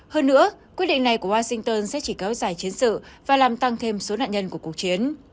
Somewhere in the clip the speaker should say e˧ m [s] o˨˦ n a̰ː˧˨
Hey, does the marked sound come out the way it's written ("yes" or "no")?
yes